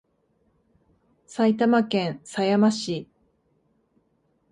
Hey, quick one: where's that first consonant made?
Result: tongue tip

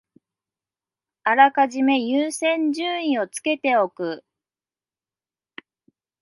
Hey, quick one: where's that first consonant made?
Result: tongue tip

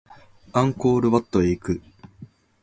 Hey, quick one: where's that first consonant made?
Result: velum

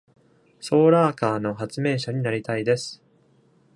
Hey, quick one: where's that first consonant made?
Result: tongue tip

